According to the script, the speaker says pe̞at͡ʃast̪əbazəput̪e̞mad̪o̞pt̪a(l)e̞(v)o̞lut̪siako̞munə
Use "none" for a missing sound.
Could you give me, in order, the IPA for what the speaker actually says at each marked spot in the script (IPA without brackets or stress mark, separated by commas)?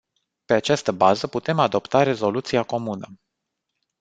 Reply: ɾ, z